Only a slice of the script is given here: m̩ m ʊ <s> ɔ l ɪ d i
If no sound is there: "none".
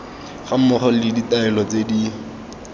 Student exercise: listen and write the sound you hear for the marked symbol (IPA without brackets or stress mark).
χ